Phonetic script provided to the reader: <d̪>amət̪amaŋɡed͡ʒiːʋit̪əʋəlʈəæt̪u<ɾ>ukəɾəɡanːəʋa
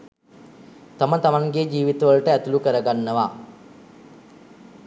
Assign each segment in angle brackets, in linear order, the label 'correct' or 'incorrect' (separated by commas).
incorrect, incorrect